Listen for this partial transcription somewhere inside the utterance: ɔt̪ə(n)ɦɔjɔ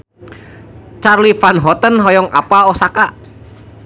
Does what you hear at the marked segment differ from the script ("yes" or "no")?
no